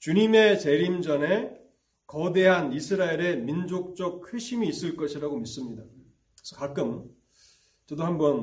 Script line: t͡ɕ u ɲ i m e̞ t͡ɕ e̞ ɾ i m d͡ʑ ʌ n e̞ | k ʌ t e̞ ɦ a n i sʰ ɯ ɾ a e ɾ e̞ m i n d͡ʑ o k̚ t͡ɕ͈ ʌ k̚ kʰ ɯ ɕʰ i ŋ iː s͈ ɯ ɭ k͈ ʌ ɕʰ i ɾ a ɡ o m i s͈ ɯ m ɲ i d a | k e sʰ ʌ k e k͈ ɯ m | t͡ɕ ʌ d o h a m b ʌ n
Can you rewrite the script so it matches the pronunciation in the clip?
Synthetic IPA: t͡ɕ u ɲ i m e̞ t͡ɕ e̞ ɾ i m d͡ʑ ʌ n e̞ | k ʌ d e̞ ɦ a n i sʰ ɯ ɾ a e ɾ e̞ m i n d͡ʑ o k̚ t͡ɕ͈ ʌ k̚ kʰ ɯ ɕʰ i m iː s͈ ɯ ɭ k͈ ʌ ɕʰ i ɾ a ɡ o m i s͈ ɯ m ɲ i d a | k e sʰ ʌ k a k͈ ɯ m | t͡ɕ ʌ d o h a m b ʌ n